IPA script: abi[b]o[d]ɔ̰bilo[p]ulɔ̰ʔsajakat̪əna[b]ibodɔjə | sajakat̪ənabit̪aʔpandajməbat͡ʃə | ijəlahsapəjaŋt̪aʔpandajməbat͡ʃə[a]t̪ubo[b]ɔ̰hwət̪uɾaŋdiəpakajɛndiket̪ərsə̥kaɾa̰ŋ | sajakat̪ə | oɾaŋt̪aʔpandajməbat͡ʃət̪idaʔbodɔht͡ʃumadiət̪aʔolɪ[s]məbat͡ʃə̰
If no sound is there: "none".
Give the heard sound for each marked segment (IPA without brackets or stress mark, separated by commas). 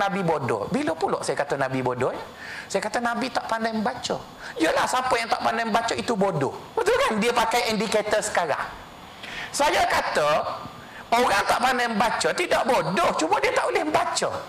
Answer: b, d, p, b, i, d, h